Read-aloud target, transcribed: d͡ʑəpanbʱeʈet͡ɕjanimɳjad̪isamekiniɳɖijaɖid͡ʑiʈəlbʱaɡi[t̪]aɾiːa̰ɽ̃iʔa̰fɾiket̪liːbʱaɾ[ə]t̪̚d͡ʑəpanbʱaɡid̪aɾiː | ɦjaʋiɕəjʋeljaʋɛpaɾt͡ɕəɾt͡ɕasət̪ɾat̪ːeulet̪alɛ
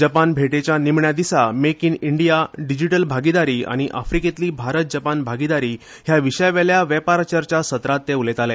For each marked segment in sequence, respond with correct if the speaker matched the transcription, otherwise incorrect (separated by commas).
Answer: incorrect, correct